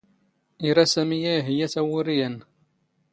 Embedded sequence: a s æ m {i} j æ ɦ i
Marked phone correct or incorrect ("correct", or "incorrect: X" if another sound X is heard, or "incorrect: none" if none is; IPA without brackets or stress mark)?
correct